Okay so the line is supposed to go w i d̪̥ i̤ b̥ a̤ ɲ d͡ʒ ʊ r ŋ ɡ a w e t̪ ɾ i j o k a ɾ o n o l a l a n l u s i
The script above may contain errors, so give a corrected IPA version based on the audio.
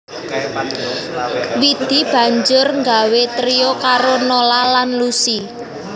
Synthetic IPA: w i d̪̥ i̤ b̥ a̤ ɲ d͡ʒ ʊ r ŋ ɡ a w e t̪ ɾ i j o k a ɾ o n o l a l a n l u s i